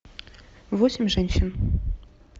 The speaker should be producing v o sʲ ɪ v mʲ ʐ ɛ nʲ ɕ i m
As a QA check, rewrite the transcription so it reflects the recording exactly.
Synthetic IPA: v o sʲ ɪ mʲ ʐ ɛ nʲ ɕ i n